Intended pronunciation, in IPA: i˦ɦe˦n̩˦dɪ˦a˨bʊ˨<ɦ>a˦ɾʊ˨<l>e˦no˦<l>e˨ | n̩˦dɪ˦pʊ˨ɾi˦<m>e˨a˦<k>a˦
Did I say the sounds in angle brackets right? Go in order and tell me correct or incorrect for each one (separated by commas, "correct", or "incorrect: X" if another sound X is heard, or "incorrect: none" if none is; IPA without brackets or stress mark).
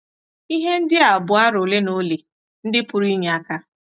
incorrect: none, correct, correct, incorrect: ɲ, correct